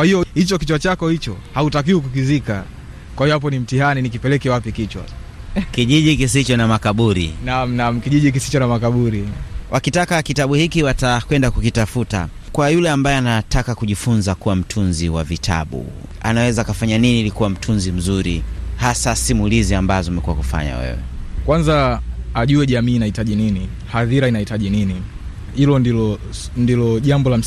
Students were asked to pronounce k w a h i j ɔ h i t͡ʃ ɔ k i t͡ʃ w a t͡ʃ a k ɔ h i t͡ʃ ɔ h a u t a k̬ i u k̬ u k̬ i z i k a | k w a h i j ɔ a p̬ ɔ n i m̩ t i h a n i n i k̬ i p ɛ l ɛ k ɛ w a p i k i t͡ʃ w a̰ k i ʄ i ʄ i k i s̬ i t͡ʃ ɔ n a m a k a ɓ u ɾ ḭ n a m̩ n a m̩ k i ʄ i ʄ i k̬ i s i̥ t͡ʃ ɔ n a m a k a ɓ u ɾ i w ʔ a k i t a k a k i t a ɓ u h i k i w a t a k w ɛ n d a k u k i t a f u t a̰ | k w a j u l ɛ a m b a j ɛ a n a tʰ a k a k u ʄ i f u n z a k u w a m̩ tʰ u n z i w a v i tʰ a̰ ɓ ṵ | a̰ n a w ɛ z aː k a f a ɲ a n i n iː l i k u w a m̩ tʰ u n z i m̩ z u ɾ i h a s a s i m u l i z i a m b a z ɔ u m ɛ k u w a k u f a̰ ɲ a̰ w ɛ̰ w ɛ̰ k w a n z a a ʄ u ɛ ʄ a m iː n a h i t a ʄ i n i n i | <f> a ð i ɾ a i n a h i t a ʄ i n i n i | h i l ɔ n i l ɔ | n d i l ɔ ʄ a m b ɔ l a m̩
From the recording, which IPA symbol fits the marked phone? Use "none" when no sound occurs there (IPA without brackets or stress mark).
h